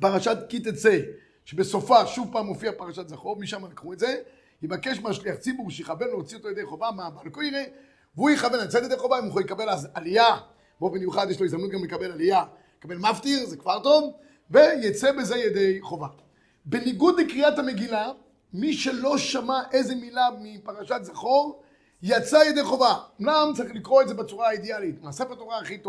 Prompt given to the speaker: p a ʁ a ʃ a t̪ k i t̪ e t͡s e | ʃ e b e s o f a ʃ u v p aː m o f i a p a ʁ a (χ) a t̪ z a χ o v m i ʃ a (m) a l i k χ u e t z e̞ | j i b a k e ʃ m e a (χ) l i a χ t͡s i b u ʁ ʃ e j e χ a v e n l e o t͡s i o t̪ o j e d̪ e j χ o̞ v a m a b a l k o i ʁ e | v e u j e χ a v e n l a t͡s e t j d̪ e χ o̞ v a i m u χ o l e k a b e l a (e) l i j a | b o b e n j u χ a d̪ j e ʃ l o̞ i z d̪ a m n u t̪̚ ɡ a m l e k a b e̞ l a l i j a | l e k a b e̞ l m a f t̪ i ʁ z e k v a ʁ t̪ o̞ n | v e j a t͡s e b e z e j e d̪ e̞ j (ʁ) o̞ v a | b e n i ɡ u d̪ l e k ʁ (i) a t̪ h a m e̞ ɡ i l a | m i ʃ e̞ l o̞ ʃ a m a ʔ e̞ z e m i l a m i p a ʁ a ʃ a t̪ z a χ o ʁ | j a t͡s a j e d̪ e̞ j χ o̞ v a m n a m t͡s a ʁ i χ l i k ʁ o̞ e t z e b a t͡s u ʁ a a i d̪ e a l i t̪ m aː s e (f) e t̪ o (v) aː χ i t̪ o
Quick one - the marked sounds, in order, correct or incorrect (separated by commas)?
incorrect, correct, incorrect, incorrect, incorrect, correct, correct, incorrect